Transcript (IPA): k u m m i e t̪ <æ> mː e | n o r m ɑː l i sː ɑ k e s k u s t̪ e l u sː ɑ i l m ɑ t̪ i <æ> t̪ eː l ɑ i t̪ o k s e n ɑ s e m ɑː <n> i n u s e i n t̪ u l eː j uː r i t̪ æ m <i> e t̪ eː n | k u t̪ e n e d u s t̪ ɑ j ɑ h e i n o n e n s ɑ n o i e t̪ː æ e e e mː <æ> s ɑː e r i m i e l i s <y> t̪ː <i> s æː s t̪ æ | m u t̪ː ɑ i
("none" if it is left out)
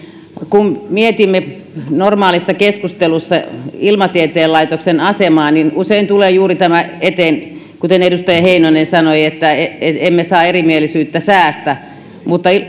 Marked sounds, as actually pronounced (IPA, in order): i, e, n, æ, e, yː, æ

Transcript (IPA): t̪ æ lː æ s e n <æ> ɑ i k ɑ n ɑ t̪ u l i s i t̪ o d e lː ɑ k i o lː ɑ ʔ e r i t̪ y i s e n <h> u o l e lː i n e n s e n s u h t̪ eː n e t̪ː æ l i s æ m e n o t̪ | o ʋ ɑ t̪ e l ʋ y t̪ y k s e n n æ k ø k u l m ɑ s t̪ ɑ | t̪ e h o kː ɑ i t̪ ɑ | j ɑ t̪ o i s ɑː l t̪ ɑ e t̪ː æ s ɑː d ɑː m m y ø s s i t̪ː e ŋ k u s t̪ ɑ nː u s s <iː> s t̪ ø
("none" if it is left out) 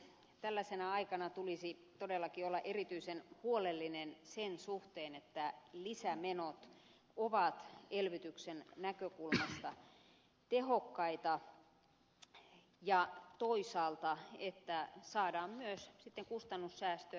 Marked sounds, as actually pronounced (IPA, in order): æ, h, æː

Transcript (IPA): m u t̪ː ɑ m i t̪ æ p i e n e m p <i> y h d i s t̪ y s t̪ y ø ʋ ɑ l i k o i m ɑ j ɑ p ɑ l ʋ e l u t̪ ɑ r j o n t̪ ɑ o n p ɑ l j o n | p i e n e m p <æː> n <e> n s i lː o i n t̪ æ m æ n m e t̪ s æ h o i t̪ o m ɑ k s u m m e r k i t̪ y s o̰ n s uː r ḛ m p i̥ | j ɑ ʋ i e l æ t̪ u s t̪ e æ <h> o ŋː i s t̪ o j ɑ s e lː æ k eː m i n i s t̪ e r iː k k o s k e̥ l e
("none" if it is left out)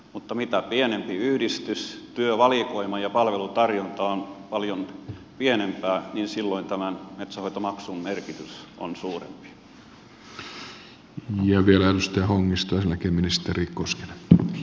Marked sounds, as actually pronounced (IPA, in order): i, æː, i, h

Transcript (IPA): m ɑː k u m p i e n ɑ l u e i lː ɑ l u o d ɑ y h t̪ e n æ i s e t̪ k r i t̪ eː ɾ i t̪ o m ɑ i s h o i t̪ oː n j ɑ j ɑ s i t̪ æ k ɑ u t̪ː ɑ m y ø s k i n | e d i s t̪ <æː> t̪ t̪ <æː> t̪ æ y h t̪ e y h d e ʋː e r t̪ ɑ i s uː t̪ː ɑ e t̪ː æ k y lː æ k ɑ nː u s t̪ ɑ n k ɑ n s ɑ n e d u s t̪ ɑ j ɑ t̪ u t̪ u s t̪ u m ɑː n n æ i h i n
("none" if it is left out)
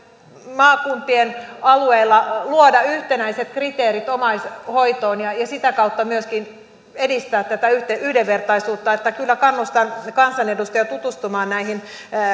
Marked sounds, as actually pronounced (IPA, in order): æː, æ

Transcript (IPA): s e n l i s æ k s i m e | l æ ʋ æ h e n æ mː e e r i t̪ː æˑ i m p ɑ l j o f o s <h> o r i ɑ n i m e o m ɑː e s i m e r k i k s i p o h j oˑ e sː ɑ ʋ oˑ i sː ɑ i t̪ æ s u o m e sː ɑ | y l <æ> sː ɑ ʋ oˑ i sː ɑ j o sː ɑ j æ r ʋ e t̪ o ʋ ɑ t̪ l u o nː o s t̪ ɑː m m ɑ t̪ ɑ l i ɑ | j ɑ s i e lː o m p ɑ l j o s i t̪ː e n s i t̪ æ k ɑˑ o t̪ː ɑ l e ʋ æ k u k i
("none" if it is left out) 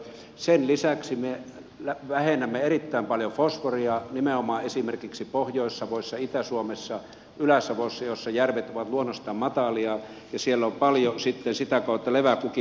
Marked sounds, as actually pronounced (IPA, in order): f, æ

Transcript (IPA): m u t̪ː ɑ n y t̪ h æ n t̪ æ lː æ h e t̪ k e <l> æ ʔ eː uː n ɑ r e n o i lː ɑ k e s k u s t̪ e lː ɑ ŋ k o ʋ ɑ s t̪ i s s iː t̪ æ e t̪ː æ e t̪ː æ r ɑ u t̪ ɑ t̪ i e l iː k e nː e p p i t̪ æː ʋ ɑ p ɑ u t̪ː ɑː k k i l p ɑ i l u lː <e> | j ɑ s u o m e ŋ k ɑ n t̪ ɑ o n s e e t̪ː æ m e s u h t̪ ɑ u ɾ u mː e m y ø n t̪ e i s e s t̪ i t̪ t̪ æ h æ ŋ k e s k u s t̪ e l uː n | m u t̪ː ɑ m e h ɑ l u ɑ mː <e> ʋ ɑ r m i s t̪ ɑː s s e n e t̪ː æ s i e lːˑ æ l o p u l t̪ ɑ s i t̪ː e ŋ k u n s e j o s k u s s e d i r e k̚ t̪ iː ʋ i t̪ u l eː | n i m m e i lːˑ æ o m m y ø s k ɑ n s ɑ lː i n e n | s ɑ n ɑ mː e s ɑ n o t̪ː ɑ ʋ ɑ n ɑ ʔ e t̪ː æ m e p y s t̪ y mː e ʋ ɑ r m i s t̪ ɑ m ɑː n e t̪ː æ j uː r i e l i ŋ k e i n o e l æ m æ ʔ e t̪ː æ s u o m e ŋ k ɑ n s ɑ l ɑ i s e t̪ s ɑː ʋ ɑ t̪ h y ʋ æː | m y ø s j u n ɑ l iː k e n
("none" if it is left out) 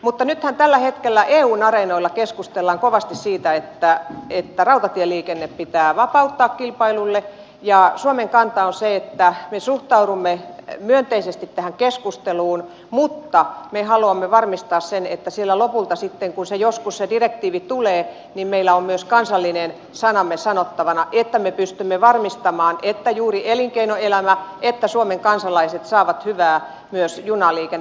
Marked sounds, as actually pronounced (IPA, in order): lː, e, e

